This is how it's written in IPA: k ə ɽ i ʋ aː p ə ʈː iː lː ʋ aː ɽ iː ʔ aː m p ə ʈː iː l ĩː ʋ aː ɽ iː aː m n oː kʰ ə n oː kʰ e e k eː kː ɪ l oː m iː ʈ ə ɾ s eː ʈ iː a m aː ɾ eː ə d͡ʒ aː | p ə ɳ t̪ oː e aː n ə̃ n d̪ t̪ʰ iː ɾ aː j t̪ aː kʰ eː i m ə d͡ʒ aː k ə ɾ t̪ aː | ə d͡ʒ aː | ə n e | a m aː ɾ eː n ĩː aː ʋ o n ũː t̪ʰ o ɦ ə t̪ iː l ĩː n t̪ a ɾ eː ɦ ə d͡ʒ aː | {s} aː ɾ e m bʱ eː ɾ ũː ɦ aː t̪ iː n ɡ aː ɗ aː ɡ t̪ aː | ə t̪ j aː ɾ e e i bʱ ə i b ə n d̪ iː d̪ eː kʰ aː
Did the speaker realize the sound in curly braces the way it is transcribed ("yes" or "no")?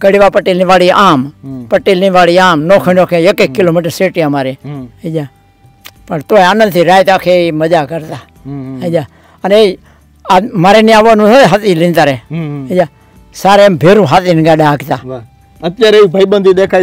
yes